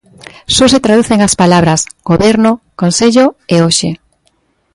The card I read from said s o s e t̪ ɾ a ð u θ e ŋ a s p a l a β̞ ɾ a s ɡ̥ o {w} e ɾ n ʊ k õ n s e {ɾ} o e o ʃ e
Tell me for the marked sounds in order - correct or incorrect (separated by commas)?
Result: incorrect, incorrect